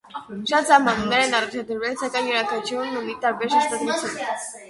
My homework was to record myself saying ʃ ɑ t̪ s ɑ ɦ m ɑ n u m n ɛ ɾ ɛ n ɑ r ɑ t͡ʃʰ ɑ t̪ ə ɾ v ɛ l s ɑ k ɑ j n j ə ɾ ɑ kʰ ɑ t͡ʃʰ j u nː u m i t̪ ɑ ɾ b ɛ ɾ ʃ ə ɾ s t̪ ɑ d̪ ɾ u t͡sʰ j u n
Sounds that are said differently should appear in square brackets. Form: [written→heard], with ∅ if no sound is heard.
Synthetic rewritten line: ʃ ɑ t̪ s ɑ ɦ m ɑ n u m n ɛ ɾ ɛ n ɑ r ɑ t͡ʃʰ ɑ [t̪→d̪] ə ɾ v ɛ l s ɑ k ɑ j n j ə ɾ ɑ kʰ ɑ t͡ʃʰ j u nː u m i t̪ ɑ ɾ b ɛ ɾ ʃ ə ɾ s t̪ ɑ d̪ ɾ u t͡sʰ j u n